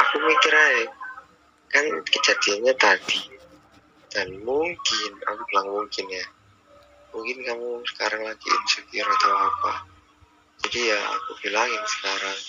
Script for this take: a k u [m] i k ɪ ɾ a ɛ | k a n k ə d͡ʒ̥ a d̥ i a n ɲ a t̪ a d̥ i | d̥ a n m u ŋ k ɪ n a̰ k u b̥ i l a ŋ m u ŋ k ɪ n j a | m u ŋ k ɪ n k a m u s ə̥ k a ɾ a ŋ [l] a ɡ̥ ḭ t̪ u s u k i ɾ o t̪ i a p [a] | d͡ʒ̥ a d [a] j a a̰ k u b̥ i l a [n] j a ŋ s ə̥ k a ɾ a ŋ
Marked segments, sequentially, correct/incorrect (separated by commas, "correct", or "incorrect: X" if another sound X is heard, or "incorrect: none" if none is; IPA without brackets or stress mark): correct, correct, correct, incorrect: i, incorrect: ŋ